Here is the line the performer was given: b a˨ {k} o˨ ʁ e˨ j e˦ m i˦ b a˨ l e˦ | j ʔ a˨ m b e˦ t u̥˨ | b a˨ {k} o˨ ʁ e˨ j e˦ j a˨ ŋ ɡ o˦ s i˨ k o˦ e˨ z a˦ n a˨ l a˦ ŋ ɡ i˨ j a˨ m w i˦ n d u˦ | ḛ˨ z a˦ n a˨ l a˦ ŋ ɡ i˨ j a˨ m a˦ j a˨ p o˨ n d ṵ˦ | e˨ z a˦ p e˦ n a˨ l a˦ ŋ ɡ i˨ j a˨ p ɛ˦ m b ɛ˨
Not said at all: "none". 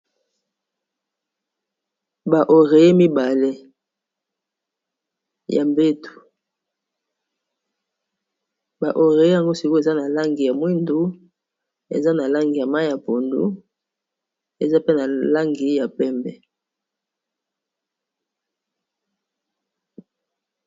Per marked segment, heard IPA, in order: ʔ, ʔ

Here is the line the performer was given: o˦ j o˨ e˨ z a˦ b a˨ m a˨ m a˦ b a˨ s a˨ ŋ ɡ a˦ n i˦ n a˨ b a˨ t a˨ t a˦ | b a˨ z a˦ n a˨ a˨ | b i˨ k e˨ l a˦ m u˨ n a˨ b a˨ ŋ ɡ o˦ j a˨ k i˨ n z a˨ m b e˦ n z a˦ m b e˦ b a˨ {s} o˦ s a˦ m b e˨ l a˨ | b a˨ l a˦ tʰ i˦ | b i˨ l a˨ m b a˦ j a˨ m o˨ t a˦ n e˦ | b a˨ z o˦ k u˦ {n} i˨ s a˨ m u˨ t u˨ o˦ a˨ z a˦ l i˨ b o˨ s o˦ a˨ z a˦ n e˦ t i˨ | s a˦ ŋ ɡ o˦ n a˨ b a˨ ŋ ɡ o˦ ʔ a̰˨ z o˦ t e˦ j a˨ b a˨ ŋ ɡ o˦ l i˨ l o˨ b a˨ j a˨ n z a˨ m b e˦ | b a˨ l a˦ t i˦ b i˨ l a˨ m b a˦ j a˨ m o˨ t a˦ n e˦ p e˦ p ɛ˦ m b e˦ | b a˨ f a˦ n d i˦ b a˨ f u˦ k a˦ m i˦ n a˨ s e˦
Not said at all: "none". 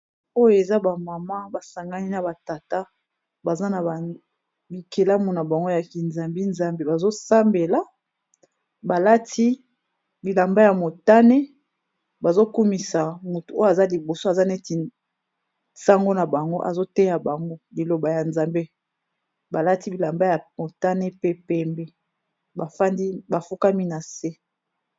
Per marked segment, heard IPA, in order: z, m

